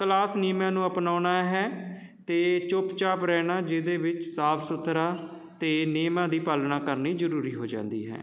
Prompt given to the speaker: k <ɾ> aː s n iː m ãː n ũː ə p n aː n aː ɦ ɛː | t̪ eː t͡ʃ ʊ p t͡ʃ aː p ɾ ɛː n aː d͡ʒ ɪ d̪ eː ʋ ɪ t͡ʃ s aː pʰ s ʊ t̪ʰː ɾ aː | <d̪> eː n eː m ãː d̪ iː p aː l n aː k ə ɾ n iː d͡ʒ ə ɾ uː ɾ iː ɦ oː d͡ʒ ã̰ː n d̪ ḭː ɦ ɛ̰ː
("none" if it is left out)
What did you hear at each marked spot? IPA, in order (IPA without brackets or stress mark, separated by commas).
l, t̪